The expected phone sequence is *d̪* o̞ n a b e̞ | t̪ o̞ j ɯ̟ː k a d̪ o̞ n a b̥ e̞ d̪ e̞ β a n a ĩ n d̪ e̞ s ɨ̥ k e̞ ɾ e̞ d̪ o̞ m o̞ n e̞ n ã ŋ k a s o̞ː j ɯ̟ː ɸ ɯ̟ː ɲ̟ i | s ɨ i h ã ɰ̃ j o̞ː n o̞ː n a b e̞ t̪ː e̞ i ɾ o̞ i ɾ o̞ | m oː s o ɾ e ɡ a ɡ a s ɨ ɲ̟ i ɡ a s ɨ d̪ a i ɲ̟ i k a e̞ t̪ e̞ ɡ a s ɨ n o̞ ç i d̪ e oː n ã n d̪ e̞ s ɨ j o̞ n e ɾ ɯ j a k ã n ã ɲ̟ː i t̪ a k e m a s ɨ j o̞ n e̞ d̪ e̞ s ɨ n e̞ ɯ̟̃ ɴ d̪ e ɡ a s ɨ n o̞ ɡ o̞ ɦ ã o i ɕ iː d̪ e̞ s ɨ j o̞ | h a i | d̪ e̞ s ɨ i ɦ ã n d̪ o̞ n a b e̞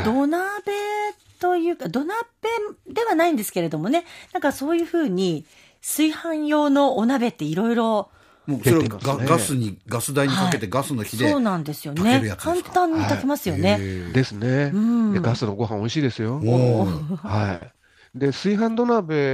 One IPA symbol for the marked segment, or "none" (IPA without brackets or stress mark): d̪